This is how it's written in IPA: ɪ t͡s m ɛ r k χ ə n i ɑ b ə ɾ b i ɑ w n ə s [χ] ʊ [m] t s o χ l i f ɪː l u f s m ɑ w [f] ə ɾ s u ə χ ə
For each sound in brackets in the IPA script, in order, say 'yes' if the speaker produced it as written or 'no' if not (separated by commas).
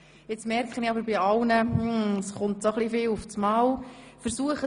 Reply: yes, no, yes